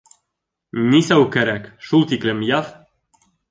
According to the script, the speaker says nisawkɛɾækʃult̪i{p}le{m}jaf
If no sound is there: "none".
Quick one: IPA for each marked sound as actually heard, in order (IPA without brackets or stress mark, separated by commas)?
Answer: k, m